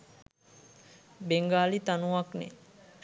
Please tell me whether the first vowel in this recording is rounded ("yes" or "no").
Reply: no